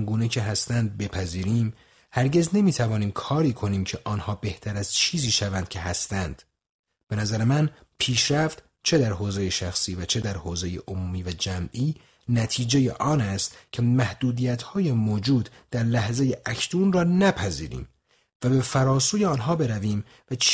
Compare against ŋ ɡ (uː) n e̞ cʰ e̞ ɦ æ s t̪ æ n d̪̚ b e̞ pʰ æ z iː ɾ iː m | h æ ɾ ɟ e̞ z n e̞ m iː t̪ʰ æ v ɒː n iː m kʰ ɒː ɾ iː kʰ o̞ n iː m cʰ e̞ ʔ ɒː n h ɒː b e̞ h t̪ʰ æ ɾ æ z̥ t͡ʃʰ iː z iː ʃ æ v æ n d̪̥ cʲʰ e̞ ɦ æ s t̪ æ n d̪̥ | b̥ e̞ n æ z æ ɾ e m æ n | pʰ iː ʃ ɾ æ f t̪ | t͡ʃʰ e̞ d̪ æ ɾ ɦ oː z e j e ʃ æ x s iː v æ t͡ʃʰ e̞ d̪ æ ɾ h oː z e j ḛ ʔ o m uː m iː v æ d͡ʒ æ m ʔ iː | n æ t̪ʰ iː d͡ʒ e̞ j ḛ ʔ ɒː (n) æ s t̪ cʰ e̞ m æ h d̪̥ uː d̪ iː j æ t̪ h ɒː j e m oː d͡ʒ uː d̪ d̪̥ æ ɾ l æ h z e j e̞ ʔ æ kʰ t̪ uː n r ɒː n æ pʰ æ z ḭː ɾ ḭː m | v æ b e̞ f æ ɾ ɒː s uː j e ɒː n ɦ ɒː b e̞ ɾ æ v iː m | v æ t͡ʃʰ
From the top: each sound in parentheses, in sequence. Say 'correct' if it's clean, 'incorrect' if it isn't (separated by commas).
correct, correct